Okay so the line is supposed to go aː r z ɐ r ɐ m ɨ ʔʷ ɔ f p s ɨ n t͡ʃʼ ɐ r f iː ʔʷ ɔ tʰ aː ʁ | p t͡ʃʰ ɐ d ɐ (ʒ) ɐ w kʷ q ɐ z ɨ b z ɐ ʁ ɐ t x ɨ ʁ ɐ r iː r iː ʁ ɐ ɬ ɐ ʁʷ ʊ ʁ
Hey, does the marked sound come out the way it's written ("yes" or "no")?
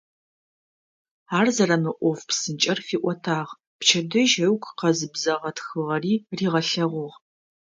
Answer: yes